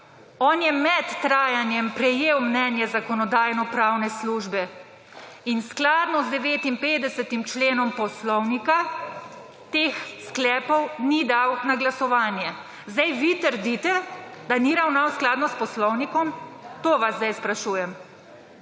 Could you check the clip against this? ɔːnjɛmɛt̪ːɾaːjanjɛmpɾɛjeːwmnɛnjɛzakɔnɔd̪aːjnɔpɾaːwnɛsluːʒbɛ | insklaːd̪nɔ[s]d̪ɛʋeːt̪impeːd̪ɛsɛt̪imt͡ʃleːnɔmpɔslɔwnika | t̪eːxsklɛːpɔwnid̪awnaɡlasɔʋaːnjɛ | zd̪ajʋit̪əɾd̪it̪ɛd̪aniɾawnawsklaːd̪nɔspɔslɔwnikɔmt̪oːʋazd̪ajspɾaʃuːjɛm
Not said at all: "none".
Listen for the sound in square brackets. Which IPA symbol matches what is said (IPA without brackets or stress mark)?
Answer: z